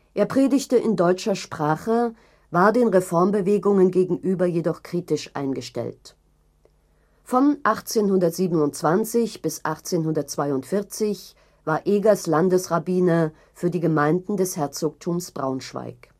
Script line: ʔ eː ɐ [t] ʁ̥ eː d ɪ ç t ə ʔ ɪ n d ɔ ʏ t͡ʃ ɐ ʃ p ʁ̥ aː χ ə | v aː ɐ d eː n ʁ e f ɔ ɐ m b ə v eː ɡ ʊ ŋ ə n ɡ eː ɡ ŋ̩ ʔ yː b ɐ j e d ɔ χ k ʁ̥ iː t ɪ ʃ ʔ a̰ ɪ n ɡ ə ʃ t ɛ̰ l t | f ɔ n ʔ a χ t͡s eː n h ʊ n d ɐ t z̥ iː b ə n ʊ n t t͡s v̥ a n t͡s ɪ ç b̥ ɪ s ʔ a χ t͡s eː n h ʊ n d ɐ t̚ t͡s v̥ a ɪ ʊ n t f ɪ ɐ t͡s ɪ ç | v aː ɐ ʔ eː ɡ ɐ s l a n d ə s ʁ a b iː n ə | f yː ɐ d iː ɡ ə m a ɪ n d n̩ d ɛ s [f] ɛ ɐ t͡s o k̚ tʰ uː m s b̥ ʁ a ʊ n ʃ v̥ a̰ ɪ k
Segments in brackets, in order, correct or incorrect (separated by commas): incorrect, incorrect